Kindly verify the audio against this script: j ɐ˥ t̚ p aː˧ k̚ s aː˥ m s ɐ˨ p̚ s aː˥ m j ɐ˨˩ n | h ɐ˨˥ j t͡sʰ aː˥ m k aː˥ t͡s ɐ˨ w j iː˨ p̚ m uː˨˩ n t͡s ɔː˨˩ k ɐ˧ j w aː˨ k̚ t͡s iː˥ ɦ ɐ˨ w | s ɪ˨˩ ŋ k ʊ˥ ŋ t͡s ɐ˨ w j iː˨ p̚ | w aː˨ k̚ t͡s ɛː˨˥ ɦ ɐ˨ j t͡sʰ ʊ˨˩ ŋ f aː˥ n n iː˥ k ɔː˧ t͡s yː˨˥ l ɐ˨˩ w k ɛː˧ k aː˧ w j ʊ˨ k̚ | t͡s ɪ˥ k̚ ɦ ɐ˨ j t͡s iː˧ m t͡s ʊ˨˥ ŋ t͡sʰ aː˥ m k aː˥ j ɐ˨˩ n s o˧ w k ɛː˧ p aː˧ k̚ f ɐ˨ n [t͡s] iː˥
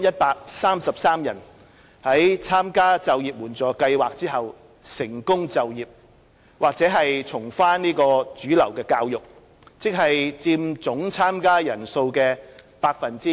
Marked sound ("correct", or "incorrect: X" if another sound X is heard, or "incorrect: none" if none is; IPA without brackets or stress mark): correct